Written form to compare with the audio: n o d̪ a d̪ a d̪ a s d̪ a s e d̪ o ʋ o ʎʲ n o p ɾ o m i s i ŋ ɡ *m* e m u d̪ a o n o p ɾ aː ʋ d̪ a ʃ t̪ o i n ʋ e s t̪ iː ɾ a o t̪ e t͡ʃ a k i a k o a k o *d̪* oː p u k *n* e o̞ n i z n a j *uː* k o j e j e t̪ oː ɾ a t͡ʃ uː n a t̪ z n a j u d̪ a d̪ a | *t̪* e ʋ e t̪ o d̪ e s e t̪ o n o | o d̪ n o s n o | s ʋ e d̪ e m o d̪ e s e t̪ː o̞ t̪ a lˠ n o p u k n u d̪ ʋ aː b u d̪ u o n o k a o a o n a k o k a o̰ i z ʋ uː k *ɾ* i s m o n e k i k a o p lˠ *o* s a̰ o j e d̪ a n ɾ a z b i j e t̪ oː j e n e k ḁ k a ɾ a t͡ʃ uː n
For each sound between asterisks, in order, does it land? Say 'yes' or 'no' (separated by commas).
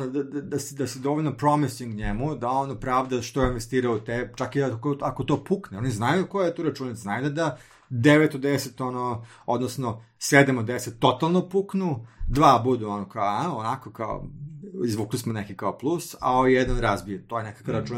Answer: no, no, yes, no, no, no, no